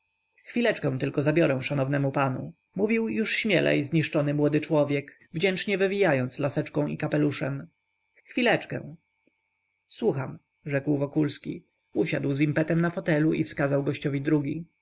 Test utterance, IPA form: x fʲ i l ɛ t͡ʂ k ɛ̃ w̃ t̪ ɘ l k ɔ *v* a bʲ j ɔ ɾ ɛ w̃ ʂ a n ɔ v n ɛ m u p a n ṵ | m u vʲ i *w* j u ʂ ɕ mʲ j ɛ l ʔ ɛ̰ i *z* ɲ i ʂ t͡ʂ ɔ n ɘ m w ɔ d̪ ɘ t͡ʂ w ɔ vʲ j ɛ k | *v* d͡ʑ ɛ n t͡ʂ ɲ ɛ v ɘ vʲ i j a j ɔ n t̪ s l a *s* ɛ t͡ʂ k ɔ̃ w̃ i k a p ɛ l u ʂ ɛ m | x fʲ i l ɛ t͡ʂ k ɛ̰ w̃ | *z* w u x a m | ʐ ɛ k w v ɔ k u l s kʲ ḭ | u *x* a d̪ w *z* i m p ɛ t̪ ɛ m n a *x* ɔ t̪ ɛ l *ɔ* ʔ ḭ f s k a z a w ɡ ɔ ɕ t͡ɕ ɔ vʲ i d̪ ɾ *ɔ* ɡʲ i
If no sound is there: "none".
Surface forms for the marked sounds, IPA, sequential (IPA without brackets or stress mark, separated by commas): z, w, z, v, s, s, ɕ, z, f, u, u